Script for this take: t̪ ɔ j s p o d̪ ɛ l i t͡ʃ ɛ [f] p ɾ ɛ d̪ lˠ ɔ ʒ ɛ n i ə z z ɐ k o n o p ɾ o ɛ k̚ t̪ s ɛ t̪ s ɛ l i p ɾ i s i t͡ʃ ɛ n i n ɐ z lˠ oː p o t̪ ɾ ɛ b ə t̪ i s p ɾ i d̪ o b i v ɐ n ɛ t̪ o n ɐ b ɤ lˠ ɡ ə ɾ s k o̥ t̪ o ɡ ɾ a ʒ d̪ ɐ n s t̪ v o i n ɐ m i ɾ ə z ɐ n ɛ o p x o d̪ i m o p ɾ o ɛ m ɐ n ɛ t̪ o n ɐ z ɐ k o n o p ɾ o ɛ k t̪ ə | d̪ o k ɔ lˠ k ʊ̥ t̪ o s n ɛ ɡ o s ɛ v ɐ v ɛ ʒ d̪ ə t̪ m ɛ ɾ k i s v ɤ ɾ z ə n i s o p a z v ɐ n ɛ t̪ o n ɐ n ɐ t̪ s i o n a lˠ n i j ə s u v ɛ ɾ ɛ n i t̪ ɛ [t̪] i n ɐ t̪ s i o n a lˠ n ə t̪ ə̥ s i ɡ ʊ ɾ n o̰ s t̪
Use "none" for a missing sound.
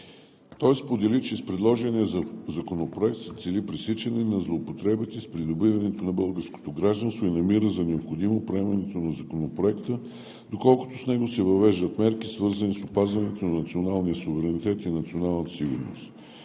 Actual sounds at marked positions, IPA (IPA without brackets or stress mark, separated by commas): s, t̪